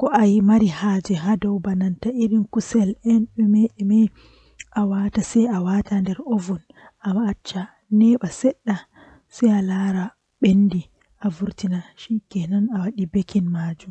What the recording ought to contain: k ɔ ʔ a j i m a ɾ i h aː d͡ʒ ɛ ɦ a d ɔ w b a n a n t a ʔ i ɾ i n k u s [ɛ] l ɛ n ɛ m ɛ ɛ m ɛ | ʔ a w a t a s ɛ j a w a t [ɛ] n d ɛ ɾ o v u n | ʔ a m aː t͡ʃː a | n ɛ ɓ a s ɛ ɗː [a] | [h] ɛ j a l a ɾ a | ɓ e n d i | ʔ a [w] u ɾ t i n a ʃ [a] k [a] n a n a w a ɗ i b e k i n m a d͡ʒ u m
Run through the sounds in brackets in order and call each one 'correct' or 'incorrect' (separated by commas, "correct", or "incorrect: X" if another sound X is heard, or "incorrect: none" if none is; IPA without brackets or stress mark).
correct, incorrect: a, correct, incorrect: s, incorrect: v, incorrect: i, incorrect: ɛ